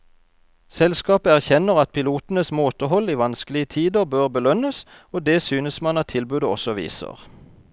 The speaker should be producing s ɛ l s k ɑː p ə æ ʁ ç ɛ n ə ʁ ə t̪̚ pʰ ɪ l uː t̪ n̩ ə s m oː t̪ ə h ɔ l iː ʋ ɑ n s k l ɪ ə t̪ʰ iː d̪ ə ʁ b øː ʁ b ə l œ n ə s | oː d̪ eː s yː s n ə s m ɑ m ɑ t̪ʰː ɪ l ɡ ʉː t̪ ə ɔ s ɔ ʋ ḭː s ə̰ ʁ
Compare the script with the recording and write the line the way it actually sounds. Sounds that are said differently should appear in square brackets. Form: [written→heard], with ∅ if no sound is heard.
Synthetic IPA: s ɛ l s k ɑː p ə æ ʁ ç ɛ n ə ʁ [ə→ɑ] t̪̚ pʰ ɪ l uː t̪ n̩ ə s m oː t̪ ə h ɔ l iː ʋ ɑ n s k l ɪ ə t̪ʰ iː d̪ ə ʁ b øː ʁ b ə l œ n ə s | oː d̪ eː s yː [s→∅] n ə s m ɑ [m→n] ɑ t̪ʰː ɪ l [ɡ→b] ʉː [t̪→d̪] ə ɔ s ɔ ʋ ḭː s ə̰ ʁ